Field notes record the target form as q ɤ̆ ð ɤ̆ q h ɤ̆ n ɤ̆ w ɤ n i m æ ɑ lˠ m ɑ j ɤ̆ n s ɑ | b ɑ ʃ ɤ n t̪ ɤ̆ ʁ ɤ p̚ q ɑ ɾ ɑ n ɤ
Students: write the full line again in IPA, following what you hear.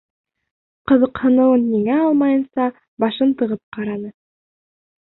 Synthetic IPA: q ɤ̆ ð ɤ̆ q h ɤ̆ n ɤ̆ w ɤ nː i ŋ æ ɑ lˠ m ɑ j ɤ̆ n s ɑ | b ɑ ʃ ɤ n t̪ ɤ̆ ʁ ɤ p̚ q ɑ ɾ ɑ n ɤ